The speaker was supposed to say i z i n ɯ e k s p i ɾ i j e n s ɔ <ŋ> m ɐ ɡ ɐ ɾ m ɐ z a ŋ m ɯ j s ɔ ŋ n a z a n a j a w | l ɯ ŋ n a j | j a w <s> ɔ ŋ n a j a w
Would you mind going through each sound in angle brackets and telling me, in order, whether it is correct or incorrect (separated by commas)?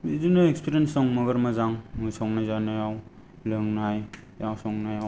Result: correct, correct